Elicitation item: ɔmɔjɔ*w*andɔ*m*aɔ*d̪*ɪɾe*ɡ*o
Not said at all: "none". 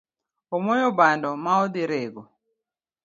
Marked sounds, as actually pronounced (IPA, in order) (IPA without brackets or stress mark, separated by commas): b, m, d̪, ɡ